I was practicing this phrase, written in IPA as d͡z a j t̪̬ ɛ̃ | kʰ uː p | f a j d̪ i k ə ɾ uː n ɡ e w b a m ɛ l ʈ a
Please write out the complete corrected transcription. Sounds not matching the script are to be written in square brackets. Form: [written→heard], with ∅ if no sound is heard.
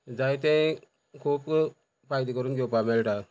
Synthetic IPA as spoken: d͡z a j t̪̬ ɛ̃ | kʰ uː p | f a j d̪ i k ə ɾ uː n ɡ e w [b→p] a m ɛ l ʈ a